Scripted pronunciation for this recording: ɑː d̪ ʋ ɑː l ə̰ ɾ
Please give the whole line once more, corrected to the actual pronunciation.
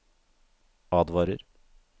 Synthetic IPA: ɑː d̪ ʋ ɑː ɾ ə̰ ɾ